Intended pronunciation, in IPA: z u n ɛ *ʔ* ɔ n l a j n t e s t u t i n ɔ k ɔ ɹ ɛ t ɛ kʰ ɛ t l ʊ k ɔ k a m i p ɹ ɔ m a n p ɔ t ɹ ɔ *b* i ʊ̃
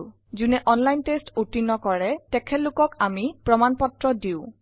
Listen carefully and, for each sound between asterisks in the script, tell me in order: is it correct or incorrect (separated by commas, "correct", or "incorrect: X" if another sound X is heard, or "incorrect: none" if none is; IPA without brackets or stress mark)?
correct, incorrect: d